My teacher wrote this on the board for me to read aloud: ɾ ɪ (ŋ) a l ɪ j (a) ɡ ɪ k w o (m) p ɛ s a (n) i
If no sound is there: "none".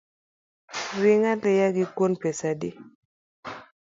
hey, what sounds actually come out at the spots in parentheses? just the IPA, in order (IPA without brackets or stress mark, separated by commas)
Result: ŋ, a, n, d